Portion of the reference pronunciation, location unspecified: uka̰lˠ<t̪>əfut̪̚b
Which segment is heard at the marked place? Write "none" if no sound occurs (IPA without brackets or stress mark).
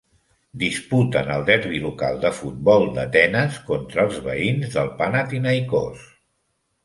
d̪